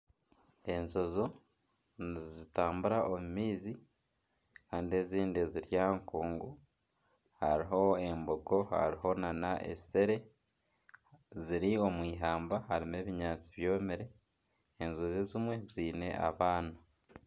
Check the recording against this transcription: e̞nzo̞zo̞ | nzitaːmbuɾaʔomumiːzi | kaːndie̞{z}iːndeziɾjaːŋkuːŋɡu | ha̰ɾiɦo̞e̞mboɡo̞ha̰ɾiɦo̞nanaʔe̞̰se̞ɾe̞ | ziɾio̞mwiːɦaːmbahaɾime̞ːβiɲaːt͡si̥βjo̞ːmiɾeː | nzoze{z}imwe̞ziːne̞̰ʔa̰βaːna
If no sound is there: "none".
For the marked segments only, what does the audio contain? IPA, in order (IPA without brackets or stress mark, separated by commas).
z, z